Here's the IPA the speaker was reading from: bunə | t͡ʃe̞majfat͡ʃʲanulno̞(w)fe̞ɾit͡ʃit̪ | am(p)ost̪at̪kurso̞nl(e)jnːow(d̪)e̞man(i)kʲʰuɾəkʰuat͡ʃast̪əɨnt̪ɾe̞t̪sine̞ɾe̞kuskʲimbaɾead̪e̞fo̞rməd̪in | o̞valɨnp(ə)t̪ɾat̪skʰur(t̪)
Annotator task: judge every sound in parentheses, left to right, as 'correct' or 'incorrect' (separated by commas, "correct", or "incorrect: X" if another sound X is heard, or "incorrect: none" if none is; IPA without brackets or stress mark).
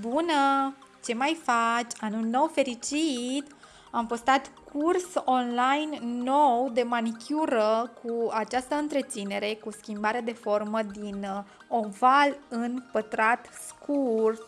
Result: correct, correct, incorrect: a, correct, correct, correct, correct